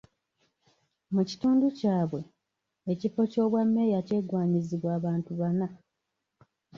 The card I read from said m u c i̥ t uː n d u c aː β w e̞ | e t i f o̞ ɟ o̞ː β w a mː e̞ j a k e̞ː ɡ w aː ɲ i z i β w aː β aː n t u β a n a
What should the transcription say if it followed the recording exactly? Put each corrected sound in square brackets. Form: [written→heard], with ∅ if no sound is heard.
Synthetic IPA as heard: m u c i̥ t uː n d u c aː β w e̞ | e [t→c] i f o̞ [ɟ→c] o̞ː β w a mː e̞ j a [k→c] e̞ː ɡ w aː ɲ i z i β w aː β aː n t u β a n a